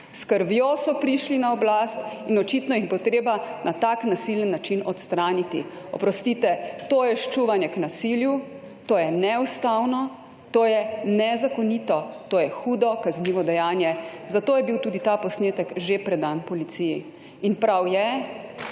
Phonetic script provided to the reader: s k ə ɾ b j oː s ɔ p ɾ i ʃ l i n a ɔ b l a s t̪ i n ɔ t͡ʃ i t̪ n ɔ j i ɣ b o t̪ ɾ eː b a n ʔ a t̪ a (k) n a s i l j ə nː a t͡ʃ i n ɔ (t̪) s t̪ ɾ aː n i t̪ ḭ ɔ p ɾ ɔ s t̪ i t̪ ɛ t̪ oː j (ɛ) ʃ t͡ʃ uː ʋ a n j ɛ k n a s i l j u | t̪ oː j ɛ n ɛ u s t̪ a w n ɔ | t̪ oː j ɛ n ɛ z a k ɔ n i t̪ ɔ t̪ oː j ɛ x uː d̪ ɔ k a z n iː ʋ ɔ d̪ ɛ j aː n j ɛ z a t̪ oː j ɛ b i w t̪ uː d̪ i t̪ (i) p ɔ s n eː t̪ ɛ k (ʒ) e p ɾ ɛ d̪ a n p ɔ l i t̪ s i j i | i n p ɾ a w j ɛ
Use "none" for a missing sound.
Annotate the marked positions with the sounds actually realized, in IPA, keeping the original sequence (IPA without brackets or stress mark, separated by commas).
k, t̪, ɛ, a, ʒ